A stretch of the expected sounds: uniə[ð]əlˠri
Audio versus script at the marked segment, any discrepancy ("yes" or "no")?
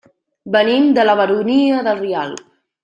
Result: no